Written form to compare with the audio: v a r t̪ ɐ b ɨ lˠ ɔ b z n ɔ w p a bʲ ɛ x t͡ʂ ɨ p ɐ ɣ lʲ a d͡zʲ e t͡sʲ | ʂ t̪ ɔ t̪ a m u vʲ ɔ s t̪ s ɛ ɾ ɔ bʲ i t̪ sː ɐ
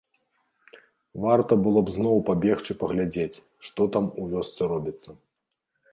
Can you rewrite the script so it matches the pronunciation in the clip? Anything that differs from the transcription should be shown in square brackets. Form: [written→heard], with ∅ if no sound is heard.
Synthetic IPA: v a r t̪ ɐ b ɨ lˠ ɔ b z n ɔ w p a bʲ ɛ x t͡ʂ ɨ p ɐ ɣ lʲ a d͡zʲ e t͡sʲ | ʂ t̪ ɔ t̪ a m u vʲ ɔ s t̪ s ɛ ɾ ɔ bʲ i t̪ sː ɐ